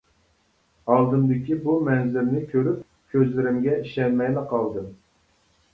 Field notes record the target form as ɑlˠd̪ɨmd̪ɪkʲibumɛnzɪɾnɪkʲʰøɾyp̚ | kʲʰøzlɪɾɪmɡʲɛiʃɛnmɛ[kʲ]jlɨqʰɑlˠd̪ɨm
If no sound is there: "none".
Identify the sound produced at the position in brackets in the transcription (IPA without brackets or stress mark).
none